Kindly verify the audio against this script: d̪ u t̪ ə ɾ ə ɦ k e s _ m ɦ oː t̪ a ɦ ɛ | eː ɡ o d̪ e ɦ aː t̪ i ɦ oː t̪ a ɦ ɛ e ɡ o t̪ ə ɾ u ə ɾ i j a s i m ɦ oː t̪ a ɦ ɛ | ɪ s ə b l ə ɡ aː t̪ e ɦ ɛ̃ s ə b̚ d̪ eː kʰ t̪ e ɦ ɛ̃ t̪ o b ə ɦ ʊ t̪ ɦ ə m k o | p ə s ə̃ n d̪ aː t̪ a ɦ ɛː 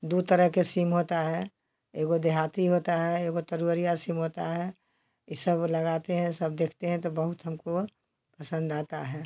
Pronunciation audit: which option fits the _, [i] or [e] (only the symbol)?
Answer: i